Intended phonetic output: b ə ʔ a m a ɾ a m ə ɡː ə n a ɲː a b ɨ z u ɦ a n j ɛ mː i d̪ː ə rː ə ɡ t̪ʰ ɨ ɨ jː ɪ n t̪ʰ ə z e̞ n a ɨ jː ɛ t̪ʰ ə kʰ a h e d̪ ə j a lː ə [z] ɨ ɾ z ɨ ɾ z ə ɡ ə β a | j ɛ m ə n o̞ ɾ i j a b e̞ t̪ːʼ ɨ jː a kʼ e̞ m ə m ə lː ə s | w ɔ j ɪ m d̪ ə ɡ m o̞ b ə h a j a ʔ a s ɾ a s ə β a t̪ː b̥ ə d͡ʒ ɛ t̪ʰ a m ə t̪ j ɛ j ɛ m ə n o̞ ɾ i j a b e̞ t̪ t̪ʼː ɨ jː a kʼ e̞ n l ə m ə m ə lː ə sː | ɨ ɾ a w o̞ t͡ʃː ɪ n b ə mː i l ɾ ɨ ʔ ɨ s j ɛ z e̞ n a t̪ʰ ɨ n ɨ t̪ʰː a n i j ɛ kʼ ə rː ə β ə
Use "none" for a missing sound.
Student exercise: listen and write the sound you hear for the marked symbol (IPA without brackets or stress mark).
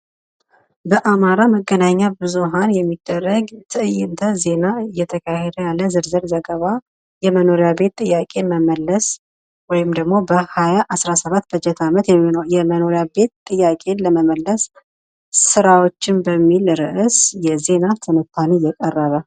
z